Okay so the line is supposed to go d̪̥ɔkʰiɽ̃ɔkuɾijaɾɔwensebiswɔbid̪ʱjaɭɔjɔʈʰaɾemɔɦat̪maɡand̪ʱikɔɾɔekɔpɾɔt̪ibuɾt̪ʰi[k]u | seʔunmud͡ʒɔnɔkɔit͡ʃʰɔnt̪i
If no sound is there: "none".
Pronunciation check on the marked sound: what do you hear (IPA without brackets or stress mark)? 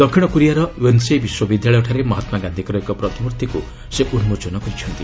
k